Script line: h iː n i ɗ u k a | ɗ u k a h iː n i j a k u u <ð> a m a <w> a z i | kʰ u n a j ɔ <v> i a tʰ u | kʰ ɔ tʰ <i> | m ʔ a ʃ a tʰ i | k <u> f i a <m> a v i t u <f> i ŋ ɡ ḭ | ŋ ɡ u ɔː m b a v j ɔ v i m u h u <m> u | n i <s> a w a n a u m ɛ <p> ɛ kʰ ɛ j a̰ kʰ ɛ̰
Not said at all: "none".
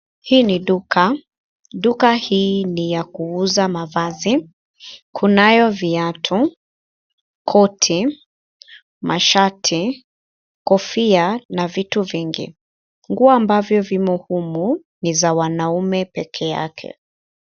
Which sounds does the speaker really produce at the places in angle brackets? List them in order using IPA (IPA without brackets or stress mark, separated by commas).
z, v, v, i, ɔ, n, v, m, z, p